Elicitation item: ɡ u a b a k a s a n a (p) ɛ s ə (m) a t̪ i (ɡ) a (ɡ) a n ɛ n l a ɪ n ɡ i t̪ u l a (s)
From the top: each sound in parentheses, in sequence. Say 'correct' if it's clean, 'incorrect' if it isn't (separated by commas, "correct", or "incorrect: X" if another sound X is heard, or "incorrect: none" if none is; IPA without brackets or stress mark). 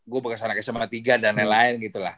incorrect: k, correct, correct, incorrect: d, incorrect: h